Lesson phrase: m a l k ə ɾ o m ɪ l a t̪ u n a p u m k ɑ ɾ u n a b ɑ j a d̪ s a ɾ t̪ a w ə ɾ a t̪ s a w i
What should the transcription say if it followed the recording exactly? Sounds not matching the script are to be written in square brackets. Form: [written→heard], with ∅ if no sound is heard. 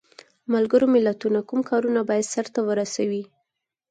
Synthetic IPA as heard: m a l [k→ɡ] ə ɾ o m ɪ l a t̪ u n a [p→k] u m k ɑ ɾ u n a b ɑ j a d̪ s a ɾ t̪ a w ə ɾ a [t̪→∅] s a w i